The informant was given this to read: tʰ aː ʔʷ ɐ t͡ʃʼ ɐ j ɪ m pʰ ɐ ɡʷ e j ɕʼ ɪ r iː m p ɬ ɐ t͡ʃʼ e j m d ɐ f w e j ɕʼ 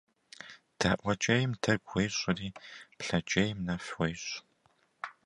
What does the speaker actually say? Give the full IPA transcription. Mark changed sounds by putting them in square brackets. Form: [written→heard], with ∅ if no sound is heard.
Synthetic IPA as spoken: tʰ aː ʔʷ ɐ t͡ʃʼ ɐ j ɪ m [pʰ→tʰ] ɐ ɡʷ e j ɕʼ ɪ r iː [m→∅] p ɬ ɐ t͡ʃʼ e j m [d→n] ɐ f w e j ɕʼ